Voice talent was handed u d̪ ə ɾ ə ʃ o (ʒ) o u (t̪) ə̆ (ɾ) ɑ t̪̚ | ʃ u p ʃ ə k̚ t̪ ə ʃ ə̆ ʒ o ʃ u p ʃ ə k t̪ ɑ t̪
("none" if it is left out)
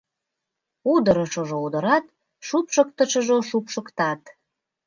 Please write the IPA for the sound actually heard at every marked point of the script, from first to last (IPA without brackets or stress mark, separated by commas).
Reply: ʒ, d̪, ɾ